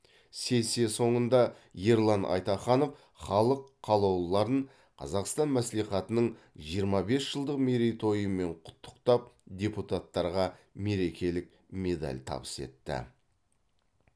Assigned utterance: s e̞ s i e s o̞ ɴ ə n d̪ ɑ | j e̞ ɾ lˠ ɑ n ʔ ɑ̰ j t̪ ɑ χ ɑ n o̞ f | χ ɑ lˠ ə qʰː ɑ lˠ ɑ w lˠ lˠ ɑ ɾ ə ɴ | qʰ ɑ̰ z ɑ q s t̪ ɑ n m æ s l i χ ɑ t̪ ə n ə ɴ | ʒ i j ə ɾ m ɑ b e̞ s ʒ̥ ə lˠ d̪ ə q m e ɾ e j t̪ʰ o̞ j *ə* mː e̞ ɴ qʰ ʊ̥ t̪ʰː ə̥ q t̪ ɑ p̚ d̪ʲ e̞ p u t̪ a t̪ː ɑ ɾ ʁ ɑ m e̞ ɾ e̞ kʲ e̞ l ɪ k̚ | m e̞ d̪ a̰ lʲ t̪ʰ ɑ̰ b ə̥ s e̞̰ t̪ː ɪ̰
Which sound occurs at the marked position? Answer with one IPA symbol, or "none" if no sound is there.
ə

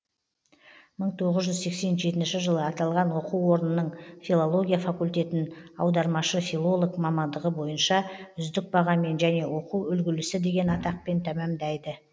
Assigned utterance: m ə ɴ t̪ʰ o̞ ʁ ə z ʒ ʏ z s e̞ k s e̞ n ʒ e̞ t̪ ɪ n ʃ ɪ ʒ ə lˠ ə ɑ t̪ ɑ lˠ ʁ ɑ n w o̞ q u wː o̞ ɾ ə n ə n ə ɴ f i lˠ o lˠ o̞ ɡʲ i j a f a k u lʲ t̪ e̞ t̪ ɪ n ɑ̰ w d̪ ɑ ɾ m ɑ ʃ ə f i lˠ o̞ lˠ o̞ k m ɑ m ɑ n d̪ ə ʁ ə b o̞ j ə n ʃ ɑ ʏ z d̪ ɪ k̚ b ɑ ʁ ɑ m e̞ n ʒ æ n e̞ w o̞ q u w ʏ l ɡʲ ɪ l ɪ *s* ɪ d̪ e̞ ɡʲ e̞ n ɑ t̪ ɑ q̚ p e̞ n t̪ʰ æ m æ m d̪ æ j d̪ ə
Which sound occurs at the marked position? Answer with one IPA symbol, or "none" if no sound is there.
s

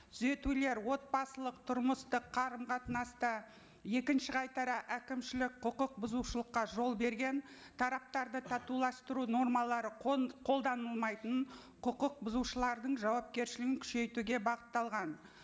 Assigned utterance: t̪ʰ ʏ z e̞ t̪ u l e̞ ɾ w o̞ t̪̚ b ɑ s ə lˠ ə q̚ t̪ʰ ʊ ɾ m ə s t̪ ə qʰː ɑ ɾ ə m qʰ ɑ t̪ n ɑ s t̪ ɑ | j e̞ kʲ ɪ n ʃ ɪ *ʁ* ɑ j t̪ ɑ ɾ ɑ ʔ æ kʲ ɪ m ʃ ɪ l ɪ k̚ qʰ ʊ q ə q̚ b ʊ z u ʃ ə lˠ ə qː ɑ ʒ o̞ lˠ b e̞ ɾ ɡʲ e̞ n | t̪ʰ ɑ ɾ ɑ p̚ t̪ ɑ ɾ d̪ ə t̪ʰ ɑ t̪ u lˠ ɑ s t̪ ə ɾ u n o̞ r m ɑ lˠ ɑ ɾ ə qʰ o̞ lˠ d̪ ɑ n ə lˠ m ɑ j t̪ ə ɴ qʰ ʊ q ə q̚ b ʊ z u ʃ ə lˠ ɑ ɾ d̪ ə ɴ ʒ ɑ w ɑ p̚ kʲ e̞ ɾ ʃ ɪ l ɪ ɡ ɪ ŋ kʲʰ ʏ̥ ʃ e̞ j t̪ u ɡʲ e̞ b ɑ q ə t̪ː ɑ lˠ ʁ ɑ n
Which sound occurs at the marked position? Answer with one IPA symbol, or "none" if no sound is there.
ʁ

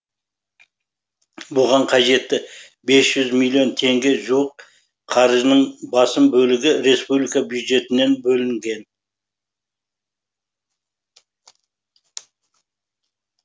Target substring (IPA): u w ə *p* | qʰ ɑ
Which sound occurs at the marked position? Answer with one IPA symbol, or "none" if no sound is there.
q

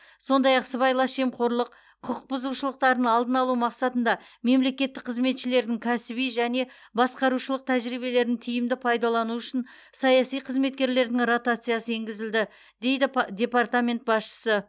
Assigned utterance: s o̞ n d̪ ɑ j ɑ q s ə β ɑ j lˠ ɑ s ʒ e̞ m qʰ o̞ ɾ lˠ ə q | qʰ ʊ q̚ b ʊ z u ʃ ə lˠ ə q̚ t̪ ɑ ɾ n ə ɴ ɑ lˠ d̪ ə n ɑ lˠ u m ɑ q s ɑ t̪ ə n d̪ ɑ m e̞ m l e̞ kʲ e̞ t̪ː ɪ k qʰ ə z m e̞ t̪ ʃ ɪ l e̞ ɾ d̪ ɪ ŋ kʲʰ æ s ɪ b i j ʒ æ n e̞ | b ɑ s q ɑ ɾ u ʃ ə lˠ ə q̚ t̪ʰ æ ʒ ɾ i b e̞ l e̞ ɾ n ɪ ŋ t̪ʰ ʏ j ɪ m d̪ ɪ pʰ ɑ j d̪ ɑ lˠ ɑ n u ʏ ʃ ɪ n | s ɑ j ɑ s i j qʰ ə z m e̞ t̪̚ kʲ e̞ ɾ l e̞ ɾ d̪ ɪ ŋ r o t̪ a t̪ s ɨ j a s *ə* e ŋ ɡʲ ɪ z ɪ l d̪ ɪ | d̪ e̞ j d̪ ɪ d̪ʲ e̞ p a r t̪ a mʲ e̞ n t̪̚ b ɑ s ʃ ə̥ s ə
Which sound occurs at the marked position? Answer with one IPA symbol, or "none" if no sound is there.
ə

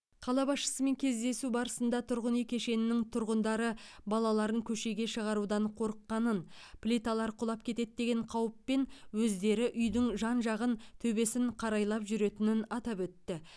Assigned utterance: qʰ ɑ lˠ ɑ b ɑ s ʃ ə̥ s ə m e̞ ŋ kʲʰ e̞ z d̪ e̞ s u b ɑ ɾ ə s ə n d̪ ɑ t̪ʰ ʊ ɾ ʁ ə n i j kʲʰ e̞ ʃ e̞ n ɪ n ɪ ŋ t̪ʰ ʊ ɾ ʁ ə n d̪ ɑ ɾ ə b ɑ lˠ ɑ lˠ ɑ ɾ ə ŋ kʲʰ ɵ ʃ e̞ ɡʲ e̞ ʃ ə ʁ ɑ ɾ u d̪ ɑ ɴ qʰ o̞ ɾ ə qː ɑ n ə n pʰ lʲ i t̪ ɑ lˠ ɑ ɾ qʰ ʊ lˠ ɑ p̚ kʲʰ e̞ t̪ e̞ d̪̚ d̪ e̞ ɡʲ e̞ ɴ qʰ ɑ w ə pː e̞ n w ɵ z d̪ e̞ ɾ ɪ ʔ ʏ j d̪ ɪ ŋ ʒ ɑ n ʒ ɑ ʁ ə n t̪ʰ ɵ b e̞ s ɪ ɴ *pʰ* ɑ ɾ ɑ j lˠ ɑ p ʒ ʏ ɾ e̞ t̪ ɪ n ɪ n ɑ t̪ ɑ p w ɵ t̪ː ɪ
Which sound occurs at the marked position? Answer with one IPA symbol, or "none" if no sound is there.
qʰ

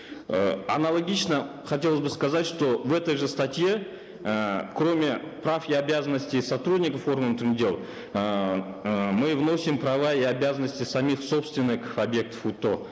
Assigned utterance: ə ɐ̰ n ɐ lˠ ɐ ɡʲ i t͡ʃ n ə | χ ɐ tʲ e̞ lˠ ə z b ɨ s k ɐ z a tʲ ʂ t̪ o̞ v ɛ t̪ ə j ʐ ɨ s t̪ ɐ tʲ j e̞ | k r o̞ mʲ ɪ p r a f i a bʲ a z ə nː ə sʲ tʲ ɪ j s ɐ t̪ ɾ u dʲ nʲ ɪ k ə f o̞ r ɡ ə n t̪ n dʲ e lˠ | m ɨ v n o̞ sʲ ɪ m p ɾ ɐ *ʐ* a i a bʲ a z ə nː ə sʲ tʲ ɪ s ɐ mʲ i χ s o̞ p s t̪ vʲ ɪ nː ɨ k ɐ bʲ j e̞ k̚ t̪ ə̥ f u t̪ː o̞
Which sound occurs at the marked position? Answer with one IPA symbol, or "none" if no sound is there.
v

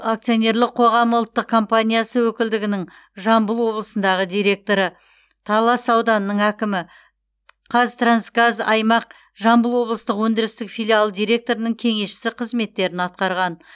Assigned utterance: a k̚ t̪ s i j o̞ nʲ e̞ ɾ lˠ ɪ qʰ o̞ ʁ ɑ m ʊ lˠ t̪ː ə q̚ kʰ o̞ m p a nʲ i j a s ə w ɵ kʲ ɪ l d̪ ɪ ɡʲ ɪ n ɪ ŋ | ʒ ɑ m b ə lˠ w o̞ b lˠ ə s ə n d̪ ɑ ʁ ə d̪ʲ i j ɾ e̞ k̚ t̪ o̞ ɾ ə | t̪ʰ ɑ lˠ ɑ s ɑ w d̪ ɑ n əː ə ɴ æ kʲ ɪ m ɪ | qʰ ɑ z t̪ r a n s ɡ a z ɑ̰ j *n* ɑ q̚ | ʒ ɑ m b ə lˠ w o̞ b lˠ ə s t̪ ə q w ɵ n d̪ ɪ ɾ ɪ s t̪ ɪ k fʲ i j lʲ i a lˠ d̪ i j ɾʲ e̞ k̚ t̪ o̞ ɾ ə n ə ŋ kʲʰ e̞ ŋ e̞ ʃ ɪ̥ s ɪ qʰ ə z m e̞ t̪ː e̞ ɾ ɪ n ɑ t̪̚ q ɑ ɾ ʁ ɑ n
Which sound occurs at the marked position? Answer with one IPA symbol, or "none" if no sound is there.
m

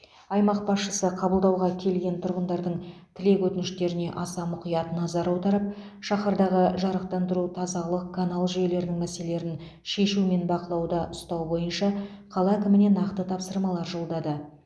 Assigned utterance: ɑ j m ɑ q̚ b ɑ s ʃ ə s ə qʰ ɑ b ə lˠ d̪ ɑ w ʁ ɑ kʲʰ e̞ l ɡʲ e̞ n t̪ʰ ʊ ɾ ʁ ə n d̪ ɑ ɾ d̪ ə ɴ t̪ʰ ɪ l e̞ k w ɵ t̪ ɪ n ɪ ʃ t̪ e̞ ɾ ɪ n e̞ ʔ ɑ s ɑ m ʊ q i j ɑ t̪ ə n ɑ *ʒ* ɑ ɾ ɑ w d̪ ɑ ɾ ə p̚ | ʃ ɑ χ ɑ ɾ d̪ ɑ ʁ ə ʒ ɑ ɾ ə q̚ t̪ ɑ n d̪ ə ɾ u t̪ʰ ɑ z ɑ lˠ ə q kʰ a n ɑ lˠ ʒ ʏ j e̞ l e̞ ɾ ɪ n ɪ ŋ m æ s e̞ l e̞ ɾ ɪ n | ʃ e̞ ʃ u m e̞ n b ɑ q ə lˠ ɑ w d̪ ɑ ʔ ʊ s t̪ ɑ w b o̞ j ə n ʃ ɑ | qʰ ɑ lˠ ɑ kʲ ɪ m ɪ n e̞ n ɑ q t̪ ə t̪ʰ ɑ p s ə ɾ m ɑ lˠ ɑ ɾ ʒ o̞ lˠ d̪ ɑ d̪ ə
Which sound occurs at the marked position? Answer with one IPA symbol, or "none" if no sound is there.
z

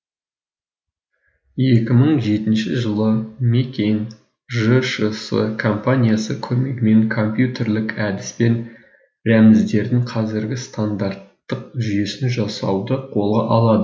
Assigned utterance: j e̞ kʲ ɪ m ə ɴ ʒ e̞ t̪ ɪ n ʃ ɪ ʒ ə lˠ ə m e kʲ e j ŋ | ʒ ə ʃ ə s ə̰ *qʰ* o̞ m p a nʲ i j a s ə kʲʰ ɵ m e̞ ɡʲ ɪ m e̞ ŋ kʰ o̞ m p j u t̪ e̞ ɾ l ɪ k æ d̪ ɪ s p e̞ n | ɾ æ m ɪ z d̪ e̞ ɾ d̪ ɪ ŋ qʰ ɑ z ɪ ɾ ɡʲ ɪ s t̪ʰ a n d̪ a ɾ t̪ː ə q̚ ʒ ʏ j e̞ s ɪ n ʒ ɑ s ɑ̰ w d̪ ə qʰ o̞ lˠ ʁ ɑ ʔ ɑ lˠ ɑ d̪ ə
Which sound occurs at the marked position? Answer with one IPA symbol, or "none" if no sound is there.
kʰ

